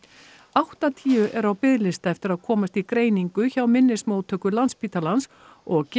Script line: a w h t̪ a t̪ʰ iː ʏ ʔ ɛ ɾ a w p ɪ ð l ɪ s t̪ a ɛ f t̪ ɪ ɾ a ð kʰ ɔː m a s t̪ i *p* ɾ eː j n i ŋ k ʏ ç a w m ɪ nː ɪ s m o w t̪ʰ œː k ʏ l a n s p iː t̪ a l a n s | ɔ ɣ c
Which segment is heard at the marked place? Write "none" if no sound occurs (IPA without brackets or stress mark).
k